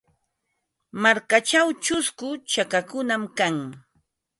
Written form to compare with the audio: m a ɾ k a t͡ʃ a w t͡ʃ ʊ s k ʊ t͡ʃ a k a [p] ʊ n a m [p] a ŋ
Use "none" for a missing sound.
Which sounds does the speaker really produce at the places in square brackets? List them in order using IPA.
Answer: k, k

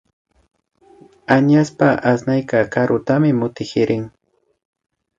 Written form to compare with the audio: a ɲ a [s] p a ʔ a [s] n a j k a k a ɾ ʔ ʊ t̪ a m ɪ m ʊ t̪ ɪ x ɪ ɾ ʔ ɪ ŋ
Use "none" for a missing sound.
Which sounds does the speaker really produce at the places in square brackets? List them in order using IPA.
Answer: s, s

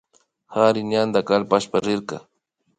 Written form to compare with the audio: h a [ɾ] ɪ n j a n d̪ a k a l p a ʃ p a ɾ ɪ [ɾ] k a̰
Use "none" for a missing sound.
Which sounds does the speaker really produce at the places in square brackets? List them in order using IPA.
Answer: ɾ, ɾ

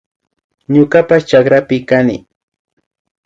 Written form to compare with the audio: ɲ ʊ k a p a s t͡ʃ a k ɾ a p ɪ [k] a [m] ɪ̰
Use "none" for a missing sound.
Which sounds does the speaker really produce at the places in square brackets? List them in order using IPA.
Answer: k, n

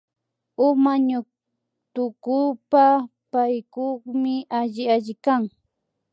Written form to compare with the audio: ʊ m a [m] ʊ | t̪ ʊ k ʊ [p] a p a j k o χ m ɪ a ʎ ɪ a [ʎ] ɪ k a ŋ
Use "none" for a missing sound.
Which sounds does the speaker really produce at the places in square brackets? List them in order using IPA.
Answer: ɲ, p, ʎ

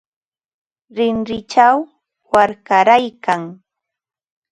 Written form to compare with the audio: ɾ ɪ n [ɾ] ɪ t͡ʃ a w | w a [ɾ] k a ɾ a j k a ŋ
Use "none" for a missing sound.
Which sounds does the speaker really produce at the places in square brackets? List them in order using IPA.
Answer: ɾ, ɾ

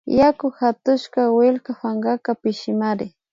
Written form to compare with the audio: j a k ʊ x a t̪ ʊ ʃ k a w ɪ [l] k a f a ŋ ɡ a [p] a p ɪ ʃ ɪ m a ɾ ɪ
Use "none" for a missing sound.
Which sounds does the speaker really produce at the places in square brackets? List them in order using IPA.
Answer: l, k

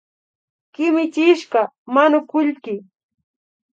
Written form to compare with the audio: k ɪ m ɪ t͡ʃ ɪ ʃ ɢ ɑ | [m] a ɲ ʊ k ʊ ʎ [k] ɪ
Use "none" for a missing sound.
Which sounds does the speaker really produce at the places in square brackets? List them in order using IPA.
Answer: m, k

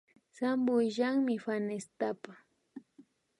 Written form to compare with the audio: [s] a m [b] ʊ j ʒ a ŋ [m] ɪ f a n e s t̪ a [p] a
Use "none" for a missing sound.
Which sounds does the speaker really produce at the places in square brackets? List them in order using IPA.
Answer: s, b, m, p

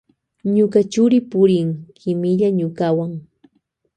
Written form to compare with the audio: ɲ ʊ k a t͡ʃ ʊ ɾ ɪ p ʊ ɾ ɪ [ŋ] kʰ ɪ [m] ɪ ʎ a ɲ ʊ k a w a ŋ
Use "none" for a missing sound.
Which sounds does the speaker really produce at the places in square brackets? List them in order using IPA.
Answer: ŋ, m

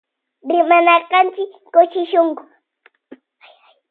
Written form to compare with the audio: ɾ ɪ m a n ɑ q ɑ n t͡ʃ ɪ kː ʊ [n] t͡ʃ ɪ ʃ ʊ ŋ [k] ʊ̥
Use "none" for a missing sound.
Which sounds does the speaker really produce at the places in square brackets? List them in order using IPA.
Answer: none, k

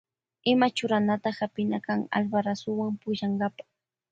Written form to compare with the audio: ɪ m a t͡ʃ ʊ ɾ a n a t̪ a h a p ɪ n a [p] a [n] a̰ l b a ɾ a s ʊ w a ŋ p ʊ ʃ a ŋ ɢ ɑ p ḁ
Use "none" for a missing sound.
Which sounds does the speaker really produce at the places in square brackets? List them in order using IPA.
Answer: k, ŋ

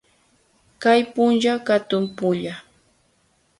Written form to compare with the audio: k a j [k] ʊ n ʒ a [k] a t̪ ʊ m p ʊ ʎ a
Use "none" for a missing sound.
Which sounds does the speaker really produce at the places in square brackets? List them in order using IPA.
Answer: p, k

